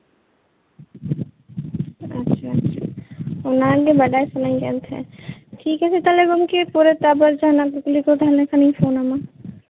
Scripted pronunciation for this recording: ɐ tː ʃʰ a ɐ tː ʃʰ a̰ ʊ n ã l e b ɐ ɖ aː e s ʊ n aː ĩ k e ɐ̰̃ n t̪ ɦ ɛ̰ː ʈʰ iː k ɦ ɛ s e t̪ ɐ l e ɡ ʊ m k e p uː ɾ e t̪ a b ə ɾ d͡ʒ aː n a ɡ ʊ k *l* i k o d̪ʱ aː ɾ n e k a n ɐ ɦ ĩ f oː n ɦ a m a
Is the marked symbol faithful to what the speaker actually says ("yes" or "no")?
yes